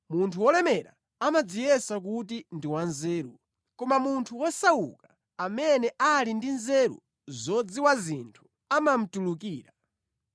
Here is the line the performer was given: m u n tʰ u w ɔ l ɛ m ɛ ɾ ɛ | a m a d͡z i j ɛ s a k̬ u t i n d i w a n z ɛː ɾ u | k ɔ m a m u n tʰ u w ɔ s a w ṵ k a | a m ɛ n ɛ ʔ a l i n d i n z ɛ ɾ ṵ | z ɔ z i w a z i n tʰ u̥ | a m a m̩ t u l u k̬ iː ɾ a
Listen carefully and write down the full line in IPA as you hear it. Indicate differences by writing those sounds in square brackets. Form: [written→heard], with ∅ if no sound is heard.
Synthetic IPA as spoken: m u n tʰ u w ɔ l ɛ m ɛ ɾ [ɛ→a] | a m a d͡z i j ɛ s a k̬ u t i n d i w a n z ɛː ɾ u | k ɔ m a m u n tʰ u w ɔ s a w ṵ k a | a m ɛ n ɛ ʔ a l i n d i n z ɛ ɾ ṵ | z ɔ [z→d͡z] i w a z i n tʰ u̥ | a m a m̩ t u l u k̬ iː ɾ a